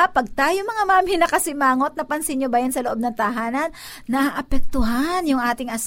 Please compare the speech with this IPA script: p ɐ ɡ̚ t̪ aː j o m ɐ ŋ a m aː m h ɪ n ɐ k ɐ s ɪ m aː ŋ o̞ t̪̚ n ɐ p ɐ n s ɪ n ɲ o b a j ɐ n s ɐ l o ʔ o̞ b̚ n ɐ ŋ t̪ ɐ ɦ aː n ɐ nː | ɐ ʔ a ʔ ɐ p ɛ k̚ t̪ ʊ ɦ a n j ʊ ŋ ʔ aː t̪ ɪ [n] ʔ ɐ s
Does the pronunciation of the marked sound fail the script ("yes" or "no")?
yes